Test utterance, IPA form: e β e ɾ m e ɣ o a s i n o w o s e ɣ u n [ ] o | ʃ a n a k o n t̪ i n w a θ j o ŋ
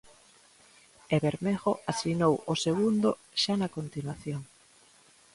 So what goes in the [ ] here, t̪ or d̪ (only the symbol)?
d̪